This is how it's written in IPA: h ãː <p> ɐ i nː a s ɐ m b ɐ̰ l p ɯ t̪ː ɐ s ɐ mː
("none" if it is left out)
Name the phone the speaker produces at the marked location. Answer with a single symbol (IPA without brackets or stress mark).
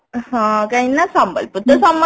k